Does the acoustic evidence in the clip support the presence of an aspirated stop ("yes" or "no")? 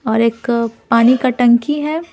no